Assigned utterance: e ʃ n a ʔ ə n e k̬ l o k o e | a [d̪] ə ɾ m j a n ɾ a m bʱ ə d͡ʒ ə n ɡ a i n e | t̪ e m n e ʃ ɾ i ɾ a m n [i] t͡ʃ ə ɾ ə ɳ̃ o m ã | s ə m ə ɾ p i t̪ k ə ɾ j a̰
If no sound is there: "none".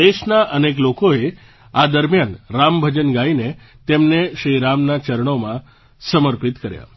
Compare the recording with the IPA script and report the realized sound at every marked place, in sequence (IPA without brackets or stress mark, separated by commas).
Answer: d̪, a